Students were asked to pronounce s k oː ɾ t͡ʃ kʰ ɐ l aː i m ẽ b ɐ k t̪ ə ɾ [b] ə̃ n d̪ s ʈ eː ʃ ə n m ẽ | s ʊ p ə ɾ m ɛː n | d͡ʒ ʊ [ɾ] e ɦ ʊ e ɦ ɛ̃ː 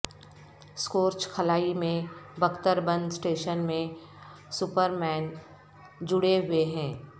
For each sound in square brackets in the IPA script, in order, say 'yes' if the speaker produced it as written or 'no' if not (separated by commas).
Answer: yes, no